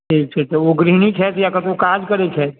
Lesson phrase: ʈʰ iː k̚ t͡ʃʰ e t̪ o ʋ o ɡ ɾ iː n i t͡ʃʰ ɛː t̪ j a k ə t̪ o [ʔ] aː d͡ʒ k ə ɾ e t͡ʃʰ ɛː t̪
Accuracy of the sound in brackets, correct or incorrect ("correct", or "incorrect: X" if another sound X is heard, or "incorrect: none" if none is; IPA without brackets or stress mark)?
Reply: incorrect: k